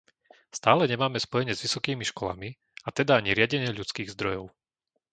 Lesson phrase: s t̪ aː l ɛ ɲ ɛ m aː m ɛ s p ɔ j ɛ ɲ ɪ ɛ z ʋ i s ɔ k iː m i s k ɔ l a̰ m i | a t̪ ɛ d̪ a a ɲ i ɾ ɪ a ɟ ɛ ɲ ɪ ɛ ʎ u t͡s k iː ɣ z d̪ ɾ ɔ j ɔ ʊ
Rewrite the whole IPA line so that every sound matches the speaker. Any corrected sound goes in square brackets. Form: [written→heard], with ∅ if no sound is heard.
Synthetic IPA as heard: s t̪ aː l ɛ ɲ ɛ m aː m ɛ s p ɔ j ɛ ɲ ɪ ɛ z ʋ i s ɔ k iː m i [s→ʃ] k ɔ l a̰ m i | a t̪ ɛ d̪ a a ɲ i ɾ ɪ a ɟ ɛ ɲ ɪ ɛ ʎ u t͡s k iː ɣ z d̪ ɾ ɔ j ɔ ʊ